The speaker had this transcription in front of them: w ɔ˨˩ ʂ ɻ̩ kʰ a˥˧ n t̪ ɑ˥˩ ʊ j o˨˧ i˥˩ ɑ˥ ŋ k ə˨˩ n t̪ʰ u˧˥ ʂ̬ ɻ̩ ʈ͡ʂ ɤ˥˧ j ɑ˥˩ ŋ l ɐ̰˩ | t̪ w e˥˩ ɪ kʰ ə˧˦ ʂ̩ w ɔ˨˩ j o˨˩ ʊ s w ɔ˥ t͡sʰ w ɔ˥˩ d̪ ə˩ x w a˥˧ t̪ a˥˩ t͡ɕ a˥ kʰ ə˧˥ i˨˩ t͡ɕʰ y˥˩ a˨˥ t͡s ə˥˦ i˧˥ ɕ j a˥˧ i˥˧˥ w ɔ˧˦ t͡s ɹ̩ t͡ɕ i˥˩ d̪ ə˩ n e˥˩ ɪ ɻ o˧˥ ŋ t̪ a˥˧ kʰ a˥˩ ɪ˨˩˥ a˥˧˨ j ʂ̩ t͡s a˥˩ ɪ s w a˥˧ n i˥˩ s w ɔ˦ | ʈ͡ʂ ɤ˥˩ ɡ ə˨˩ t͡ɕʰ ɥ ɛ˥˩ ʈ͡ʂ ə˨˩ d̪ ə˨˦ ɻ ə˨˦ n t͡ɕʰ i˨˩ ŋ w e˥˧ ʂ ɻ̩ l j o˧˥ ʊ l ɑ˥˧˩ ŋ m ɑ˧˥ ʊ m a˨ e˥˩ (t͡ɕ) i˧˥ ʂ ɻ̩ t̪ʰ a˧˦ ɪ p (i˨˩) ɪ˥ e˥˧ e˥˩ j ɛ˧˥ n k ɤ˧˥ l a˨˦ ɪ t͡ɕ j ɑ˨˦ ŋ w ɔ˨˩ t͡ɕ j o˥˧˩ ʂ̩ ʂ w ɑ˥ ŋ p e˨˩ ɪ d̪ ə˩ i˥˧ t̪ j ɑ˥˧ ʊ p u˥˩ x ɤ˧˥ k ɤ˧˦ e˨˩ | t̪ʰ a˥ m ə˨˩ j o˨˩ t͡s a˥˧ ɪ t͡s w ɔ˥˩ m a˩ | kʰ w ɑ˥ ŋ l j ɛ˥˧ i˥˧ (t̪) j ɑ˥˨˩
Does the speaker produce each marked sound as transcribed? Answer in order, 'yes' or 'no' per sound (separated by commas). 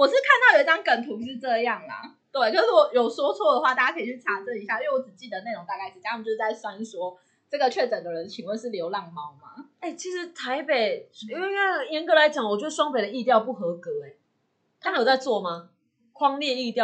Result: no, no, yes